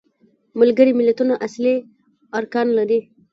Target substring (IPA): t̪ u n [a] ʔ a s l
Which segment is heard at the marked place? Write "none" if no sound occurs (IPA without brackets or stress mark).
a